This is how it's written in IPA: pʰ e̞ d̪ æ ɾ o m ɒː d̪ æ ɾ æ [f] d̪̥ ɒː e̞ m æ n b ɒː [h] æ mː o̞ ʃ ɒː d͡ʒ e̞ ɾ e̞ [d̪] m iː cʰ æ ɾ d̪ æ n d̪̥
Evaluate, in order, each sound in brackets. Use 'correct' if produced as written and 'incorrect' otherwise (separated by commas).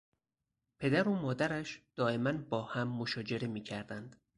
incorrect, correct, incorrect